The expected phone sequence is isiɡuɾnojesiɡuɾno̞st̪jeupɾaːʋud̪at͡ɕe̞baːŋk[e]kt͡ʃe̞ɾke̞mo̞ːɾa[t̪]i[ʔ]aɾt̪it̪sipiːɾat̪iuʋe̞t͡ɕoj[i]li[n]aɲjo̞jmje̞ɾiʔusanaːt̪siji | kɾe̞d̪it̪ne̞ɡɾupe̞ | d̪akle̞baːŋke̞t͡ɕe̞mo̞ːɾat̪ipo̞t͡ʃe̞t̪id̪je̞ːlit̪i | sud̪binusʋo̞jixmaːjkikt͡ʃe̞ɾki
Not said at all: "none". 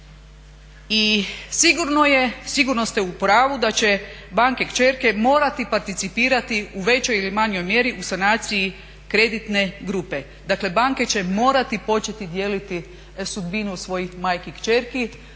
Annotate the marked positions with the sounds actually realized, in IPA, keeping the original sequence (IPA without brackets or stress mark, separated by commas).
e, t̪, p, i, m